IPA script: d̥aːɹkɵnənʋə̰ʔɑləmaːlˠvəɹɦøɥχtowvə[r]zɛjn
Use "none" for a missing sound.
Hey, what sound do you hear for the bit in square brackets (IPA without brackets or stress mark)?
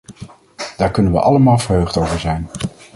ɹ